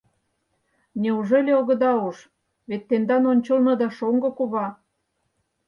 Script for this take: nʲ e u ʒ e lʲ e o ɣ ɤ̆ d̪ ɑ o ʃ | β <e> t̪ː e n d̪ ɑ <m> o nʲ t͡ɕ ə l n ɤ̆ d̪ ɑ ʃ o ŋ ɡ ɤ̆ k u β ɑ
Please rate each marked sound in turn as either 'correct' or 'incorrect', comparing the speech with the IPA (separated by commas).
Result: correct, incorrect